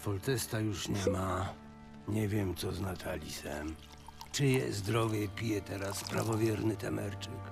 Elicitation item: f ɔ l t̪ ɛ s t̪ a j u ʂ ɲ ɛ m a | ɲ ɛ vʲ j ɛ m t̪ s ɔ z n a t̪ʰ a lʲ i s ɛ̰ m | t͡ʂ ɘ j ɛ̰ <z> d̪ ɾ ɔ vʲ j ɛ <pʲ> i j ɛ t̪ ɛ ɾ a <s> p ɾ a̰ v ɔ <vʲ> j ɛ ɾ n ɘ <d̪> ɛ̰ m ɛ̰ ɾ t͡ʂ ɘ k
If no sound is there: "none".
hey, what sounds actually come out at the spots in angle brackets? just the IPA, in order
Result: z, pʲ, s, vʲ, t̪

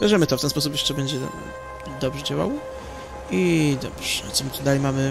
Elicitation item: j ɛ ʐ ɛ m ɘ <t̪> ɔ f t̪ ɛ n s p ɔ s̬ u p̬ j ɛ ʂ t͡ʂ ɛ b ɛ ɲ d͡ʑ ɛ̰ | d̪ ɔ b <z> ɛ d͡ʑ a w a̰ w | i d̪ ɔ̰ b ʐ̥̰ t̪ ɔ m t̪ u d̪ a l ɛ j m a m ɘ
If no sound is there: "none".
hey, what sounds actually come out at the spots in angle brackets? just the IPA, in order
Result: t̪, ʐ

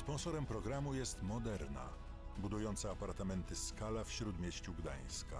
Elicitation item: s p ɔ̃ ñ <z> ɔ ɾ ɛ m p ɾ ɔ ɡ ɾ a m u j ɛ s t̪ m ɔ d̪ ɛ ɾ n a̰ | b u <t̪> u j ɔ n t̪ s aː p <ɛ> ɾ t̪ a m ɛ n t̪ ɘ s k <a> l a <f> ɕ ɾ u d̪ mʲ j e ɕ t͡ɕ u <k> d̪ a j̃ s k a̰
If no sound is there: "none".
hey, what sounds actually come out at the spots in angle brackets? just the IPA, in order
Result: s, d̪, a, a, f, ɡ

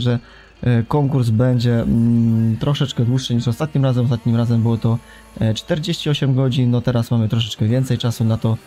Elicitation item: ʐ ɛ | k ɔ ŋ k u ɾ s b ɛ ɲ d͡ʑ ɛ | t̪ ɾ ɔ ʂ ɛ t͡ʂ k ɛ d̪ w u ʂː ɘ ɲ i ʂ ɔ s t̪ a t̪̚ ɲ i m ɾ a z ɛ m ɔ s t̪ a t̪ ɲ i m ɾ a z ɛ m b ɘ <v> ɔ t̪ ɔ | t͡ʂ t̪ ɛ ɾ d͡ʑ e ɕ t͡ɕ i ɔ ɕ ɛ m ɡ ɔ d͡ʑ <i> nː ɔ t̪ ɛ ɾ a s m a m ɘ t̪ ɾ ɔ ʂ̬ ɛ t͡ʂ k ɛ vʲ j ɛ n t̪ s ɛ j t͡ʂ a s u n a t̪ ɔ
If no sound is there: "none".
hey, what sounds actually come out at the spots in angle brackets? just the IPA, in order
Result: w, i

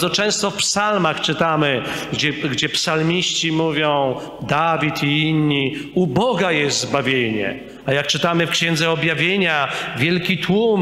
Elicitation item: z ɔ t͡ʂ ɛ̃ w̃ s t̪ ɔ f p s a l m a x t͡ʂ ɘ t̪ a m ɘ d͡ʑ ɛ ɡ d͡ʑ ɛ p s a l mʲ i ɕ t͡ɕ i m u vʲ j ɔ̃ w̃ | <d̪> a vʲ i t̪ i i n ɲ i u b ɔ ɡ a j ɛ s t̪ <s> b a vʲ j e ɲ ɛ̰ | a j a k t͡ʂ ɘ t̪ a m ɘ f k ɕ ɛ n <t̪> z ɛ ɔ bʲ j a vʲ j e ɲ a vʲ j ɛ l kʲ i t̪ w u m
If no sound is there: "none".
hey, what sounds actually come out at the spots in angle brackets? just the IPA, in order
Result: d̪, z, d̪

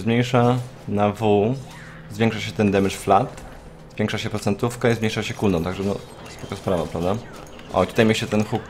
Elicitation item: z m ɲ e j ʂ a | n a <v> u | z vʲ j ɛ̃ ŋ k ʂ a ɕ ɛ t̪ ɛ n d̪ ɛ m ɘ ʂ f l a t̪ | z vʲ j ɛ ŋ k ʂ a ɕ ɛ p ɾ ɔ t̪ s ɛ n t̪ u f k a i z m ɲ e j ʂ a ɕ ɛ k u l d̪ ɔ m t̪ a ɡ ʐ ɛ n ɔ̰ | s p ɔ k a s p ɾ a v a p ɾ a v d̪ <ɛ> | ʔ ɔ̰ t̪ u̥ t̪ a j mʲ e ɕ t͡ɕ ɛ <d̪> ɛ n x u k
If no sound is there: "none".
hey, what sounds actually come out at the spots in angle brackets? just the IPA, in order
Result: v, a, t̪

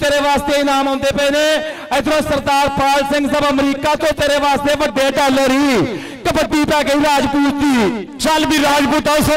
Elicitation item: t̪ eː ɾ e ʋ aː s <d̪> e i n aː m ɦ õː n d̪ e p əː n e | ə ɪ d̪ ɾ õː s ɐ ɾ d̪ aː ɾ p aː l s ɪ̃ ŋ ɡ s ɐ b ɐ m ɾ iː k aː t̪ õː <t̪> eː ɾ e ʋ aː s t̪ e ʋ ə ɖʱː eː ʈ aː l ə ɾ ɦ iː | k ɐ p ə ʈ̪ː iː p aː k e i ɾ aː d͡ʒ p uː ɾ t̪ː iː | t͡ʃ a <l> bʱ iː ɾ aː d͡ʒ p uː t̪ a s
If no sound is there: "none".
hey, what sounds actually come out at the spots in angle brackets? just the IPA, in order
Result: t̪, t̪, l

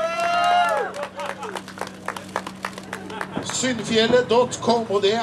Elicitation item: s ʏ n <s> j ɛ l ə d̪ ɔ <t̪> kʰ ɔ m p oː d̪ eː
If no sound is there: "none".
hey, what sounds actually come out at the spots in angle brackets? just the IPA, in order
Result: f, t̪

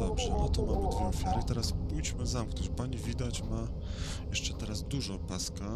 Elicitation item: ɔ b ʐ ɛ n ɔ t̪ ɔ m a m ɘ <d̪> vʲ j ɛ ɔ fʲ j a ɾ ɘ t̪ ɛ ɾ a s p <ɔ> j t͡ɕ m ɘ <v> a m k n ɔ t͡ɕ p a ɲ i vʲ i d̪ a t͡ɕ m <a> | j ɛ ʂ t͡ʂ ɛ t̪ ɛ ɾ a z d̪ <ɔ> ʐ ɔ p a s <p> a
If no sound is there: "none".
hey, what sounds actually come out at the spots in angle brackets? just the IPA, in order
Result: d̪, u, z, a, u, k

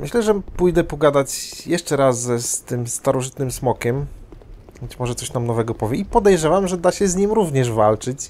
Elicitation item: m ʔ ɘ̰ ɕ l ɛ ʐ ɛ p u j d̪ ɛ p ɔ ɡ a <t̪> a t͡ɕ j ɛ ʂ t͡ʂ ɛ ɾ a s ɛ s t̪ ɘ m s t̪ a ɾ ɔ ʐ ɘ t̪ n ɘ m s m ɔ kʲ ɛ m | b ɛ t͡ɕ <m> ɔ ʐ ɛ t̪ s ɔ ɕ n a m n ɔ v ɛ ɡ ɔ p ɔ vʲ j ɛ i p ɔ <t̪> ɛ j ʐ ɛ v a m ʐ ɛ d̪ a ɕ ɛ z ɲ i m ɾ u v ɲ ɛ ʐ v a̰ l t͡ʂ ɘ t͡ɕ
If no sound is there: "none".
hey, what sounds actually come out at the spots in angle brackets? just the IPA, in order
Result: d̪, m, d̪

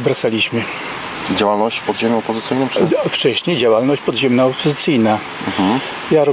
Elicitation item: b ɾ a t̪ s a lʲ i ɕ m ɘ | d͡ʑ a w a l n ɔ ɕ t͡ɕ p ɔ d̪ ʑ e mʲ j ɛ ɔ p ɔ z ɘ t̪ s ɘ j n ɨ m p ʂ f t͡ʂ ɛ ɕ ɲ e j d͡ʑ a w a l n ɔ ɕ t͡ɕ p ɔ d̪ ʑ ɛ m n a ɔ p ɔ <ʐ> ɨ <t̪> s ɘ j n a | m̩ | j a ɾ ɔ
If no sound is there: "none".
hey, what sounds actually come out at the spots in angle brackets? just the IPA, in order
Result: z, t̪

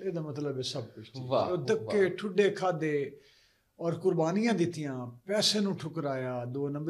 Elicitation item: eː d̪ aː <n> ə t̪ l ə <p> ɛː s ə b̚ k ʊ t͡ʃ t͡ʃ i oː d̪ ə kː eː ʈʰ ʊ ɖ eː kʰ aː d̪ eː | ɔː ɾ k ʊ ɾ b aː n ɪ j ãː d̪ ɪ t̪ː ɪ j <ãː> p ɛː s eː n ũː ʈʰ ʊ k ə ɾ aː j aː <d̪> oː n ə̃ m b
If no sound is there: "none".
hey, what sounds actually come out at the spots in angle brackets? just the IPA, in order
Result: m, b, ãː, d̪

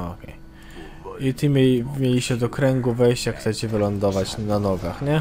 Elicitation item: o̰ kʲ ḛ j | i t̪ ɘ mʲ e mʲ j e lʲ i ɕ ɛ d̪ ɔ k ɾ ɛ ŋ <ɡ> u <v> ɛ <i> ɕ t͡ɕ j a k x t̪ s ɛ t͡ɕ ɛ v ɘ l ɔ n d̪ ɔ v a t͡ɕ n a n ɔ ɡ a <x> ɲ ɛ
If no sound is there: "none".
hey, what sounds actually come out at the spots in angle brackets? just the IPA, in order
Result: ɡ, v, j, x

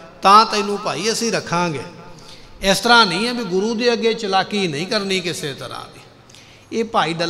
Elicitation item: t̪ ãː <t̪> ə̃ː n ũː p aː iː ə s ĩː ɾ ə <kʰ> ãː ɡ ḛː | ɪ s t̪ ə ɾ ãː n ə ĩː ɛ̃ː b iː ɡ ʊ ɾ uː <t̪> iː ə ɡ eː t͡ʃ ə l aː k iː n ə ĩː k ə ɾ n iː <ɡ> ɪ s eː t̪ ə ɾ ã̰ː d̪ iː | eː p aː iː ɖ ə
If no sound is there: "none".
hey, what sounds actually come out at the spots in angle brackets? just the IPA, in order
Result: t̪, kʰ, d̪, k

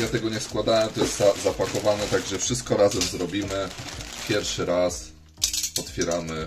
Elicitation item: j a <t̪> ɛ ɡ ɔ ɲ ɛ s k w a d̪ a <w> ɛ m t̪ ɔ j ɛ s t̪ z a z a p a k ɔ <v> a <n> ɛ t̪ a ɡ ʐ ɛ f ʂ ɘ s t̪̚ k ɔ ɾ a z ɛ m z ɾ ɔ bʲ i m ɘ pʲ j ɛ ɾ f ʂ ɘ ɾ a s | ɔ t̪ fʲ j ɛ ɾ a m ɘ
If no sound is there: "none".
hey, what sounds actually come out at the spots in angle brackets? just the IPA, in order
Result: t̪, w, v, n

